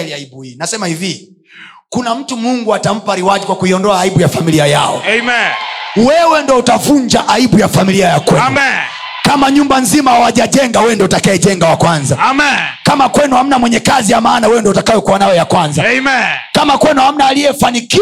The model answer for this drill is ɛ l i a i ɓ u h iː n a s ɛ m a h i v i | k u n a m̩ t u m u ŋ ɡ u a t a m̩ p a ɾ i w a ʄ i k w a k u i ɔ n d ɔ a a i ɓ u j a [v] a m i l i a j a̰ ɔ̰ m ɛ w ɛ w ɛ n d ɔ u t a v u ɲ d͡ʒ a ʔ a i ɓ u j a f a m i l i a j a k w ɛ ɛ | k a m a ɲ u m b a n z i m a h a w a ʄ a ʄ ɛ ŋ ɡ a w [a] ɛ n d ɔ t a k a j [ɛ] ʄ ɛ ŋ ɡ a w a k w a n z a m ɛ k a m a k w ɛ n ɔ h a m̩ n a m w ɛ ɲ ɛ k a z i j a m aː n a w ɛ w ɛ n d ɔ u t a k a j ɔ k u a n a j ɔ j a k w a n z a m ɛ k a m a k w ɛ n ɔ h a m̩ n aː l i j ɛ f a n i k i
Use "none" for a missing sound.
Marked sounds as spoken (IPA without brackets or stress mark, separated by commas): f, ɛ, ɛ